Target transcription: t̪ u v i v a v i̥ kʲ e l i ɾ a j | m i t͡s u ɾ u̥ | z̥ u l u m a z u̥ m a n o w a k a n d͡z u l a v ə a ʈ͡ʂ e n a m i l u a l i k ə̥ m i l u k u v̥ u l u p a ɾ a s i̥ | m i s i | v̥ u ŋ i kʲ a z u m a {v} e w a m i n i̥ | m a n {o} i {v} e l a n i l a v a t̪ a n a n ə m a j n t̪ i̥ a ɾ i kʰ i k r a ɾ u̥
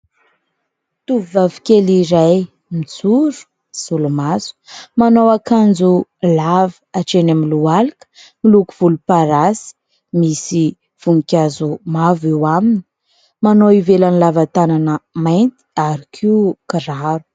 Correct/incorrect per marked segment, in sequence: correct, correct, correct

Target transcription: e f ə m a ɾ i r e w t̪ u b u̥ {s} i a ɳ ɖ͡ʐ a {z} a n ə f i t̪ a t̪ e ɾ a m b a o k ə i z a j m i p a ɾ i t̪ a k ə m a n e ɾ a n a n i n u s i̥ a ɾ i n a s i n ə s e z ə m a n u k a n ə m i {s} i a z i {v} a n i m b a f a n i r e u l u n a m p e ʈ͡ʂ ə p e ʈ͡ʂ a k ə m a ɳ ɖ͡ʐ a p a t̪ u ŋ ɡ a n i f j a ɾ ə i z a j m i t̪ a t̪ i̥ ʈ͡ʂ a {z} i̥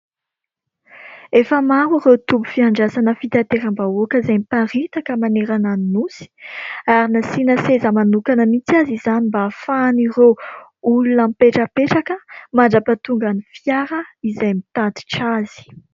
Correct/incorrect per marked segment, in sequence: incorrect: f, incorrect: s, incorrect: t͡s, incorrect: z, correct

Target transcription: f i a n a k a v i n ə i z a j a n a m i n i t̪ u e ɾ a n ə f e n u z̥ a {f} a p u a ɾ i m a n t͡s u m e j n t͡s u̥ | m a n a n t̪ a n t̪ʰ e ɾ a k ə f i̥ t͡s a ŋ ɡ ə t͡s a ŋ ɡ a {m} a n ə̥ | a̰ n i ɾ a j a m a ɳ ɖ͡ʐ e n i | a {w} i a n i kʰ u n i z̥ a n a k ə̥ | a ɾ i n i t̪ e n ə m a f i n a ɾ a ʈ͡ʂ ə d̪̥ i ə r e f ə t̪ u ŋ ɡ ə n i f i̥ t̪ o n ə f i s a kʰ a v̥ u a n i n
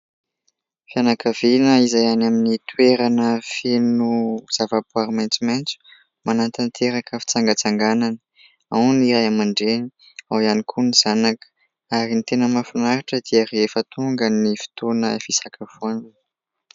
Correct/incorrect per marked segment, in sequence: incorrect: v, incorrect: n, correct

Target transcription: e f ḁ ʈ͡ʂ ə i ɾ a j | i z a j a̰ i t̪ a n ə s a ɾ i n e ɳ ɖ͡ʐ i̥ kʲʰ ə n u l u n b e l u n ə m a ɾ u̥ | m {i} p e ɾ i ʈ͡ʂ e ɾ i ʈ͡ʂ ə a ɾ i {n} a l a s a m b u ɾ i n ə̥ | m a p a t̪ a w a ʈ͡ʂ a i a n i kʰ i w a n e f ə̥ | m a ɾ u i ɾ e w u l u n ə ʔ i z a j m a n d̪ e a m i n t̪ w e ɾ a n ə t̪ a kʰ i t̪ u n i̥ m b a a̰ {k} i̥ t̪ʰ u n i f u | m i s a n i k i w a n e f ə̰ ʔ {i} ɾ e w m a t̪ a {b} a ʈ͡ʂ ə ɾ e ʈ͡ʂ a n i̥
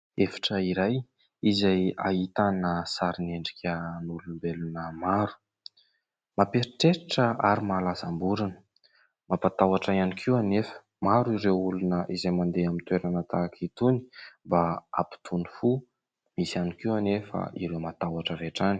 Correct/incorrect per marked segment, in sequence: incorrect: a, incorrect: m, incorrect: p, correct, incorrect: w

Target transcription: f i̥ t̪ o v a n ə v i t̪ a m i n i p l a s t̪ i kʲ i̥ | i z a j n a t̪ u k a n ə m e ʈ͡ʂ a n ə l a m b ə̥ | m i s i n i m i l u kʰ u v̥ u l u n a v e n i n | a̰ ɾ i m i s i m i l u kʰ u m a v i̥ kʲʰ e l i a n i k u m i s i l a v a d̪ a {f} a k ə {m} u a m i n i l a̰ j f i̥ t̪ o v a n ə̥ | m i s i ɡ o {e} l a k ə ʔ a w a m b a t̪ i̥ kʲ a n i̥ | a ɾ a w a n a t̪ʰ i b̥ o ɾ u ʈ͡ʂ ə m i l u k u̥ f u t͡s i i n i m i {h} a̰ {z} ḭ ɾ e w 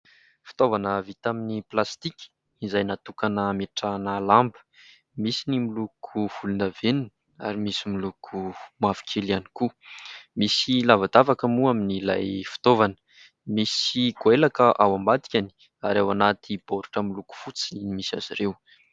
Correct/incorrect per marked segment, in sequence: incorrect: v, correct, correct, incorrect: s, correct

